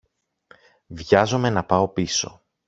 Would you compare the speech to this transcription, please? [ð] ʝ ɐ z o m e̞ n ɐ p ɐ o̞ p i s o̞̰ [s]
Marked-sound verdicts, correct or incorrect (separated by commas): incorrect, incorrect